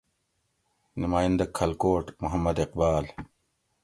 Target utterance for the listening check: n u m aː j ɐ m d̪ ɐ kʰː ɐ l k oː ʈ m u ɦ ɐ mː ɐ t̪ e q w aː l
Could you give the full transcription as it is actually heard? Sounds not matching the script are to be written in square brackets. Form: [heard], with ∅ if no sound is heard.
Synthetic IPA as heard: n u m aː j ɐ [n] d̪ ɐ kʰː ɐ l k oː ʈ m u ɦ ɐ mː ɐ [d̪] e q [b] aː l